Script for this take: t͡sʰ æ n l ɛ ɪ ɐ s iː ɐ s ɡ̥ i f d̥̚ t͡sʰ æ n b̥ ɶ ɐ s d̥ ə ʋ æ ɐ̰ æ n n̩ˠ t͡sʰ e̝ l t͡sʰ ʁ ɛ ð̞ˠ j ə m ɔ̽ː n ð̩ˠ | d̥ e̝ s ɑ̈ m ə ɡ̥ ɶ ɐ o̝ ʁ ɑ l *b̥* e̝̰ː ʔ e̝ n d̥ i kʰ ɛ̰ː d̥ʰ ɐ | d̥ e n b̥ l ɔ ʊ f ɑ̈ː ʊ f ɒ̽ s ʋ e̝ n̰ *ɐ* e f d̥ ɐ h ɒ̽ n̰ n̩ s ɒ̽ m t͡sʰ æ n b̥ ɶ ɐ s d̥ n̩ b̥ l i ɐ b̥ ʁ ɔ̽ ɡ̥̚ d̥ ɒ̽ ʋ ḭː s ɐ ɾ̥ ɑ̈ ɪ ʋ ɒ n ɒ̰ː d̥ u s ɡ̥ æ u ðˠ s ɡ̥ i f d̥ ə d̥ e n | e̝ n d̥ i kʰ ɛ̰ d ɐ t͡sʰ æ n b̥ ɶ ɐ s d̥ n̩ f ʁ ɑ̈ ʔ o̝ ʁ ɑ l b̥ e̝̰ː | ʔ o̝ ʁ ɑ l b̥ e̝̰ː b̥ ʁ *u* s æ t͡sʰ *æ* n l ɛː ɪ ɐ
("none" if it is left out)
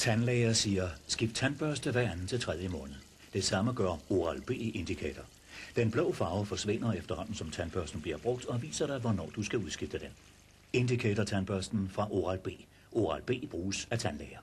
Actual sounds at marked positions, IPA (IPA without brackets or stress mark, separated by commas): b̥, ɐ, uː, æ